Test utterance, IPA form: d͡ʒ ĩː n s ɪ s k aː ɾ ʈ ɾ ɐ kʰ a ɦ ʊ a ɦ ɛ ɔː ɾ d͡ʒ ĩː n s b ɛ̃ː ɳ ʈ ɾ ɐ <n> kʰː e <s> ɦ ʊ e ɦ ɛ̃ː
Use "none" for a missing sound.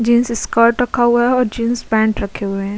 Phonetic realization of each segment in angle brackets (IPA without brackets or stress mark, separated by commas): none, none